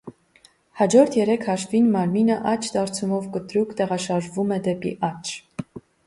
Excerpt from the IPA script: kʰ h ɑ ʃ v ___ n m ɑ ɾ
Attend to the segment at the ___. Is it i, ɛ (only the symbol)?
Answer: i